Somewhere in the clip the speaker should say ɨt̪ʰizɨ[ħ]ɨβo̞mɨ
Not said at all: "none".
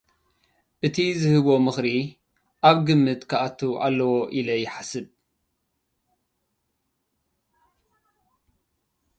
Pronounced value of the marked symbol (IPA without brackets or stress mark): h